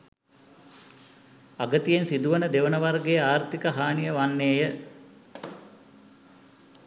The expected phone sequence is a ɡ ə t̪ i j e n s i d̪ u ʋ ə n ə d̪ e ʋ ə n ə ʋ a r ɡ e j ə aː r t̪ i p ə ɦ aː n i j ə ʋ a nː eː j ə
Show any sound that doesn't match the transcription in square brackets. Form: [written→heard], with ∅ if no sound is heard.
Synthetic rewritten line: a ɡ ə t̪ i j e n s i d̪ u ʋ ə n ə d̪ e ʋ ə n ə ʋ a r ɡ e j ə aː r t̪ i [p→k] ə ɦ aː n i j ə ʋ a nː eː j ə